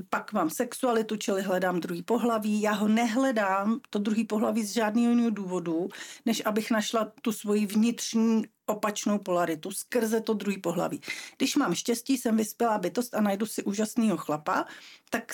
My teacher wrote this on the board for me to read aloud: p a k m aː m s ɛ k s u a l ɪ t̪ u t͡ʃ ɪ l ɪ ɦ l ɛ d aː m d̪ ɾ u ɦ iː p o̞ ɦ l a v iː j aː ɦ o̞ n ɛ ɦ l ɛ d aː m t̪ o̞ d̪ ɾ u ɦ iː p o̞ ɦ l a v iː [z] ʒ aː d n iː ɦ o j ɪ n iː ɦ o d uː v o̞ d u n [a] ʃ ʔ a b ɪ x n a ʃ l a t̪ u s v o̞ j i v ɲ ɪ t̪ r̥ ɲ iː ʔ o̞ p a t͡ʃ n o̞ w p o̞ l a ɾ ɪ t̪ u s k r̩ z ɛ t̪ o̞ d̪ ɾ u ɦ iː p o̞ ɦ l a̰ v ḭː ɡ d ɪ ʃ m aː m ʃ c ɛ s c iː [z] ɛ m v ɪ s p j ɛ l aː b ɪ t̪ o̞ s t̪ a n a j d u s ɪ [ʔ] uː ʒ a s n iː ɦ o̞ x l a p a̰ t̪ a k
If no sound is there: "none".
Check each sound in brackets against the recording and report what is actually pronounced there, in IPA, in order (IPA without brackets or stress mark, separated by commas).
z, ɛ, s, ʔ